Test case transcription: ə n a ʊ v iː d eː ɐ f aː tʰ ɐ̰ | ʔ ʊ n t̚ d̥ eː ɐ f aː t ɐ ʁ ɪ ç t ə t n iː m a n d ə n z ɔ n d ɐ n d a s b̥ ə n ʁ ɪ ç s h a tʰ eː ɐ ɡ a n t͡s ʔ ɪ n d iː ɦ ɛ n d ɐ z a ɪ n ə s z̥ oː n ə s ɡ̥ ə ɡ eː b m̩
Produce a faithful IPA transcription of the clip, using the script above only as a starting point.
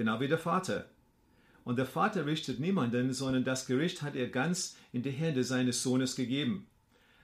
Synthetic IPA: ə n a ʊ v iː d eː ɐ f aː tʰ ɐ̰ | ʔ ʊ n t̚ d̥ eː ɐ f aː t ɐ ʁ ɪ ç t ə t n iː m a n d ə n z ɔ n d ɐ n d a s ɡ̥ ə ʁ ɪ ç t h a t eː ɐ ɡ a n t͡s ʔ ɪ n d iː ɦ ɛ n d ə z a ɪ n ə s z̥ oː n ə s ɡ̥ ə ɡ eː b m̩